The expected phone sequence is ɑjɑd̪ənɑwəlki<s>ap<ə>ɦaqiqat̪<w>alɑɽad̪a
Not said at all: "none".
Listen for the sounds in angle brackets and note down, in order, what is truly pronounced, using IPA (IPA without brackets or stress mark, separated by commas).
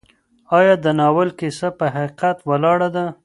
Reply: s, ə, w